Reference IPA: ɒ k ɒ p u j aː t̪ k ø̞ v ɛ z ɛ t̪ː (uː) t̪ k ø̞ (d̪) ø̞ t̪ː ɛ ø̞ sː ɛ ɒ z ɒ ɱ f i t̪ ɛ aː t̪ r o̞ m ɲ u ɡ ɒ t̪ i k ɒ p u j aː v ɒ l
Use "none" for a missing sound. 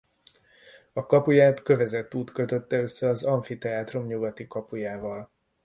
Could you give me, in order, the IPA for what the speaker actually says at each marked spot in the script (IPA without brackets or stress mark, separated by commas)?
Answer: uː, t̪